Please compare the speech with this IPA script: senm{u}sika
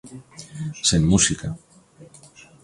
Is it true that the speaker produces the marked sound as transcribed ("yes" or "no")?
yes